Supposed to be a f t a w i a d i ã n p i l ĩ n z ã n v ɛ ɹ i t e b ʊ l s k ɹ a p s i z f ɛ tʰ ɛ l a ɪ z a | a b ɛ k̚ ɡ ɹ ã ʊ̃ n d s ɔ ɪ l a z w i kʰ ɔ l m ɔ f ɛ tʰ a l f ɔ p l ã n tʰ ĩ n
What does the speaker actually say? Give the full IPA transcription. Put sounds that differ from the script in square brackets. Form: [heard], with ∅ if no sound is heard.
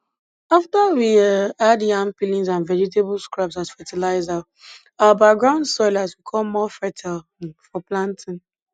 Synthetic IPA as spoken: a f t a w i a d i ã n p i l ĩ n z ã n v ɛ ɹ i t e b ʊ l s k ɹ a p s [a] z f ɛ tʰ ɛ l a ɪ z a | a b [a] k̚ ɡ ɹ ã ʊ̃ n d s ɔ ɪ l a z w i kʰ ɔ l m ɔ f ɛ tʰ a l f ɔ p l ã n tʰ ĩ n